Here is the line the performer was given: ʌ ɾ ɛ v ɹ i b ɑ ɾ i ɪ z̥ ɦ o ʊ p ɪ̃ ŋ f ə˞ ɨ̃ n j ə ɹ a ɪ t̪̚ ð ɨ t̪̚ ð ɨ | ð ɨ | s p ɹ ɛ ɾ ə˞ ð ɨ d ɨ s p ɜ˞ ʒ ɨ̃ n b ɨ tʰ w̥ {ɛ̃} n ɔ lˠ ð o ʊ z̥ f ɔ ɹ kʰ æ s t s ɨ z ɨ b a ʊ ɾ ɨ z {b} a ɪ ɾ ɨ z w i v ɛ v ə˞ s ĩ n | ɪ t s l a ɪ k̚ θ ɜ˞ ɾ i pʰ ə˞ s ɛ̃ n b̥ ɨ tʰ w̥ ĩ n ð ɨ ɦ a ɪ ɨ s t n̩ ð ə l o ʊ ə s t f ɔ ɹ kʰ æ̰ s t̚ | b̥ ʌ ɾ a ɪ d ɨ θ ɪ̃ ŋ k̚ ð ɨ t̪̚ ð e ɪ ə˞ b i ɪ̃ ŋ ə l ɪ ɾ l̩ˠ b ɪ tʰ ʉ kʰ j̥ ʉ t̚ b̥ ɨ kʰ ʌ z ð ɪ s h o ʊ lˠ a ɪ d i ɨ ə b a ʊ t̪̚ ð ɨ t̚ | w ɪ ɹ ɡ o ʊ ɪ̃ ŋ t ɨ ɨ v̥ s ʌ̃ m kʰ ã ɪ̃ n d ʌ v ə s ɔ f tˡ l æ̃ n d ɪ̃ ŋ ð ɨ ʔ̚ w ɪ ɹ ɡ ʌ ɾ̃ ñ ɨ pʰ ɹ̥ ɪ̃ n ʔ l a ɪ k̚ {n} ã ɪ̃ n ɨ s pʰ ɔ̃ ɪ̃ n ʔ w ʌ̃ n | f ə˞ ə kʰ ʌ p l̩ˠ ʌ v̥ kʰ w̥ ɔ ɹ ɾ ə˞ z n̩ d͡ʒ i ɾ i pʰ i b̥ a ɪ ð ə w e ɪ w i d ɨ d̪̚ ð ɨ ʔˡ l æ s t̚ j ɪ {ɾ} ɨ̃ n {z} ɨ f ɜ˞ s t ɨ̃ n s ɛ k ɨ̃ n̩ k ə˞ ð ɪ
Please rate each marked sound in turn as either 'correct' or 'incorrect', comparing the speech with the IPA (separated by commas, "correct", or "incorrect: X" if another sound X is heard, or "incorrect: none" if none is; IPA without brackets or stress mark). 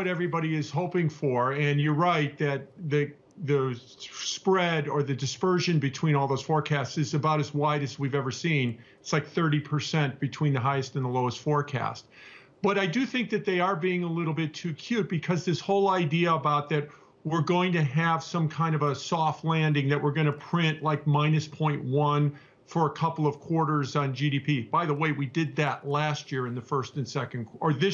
incorrect: ĩ, incorrect: w, incorrect: m, incorrect: ɹ, incorrect: ð